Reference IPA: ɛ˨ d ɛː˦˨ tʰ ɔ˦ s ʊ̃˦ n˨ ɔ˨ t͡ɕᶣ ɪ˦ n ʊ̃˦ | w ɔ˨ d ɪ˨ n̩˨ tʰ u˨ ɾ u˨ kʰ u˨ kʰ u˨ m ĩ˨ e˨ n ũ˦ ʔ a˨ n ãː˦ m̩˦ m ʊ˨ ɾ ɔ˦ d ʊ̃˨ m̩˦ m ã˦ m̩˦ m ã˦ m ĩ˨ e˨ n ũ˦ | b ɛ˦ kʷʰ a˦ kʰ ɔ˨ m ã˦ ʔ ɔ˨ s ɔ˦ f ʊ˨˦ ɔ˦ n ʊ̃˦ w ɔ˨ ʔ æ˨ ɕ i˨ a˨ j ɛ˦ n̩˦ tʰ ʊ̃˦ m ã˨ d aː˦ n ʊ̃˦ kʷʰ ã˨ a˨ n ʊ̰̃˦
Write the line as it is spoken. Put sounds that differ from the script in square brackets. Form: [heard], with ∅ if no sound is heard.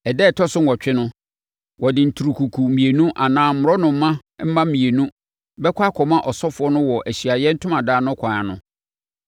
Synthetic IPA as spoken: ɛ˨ d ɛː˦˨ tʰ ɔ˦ s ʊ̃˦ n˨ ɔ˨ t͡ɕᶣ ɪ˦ n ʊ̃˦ | w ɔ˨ d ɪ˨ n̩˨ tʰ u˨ ɾ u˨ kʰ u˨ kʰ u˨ m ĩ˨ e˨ n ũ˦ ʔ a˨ n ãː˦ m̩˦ m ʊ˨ ɾ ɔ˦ [n] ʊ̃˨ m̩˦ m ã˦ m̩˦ m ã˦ m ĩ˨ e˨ n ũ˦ | b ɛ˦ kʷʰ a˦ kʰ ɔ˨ m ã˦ ʔ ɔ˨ s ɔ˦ f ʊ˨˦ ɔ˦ n ʊ̃˦ w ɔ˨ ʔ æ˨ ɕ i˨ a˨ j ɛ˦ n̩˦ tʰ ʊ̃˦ m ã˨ d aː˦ n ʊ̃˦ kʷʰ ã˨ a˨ n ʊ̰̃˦